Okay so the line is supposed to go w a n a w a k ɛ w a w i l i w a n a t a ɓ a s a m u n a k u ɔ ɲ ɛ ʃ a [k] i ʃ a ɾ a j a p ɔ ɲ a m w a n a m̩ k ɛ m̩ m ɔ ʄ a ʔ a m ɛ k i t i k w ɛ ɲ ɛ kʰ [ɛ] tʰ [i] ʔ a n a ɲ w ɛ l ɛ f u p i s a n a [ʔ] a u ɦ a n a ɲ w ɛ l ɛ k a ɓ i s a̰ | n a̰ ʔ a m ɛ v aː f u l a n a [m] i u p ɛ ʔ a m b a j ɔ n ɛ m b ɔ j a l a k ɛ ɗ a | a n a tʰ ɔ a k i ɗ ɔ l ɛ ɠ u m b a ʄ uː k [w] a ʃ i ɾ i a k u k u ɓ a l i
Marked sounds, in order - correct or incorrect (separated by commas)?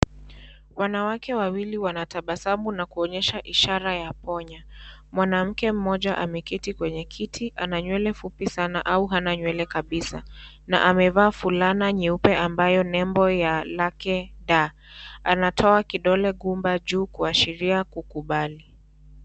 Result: incorrect, incorrect, correct, correct, incorrect, incorrect